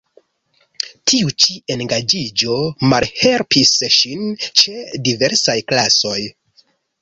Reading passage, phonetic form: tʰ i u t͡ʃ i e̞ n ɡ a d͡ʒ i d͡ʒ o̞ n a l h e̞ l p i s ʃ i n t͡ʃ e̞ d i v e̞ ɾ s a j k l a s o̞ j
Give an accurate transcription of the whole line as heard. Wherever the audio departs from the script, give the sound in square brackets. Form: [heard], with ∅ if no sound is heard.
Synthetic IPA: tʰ i u t͡ʃ i e̞ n ɡ a d͡ʒ i d͡ʒ o̞ [m] a l h e̞ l p i s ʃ i n t͡ʃ e̞ d i v e̞ ɾ s a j k l a s o̞ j